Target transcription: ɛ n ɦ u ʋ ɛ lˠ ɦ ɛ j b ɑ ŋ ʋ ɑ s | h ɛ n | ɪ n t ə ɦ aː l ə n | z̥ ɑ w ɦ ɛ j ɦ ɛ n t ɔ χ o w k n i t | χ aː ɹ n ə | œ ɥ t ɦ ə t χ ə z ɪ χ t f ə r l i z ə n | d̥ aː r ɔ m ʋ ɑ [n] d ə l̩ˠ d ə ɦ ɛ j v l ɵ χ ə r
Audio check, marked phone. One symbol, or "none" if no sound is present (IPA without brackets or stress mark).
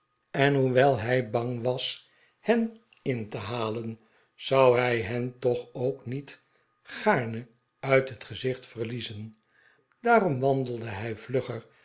n